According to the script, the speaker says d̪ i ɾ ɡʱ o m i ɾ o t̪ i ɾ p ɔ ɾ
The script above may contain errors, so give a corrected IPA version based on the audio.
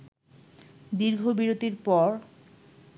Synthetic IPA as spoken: d̪ i ɾ ɡʱ o b i ɾ o t̪ i ɾ p ɔ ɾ